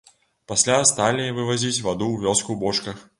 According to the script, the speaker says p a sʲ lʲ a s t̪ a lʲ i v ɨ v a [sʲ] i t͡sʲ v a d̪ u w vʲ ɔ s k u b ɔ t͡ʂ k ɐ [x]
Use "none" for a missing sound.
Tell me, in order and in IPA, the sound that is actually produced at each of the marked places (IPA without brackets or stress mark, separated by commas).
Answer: zʲ, x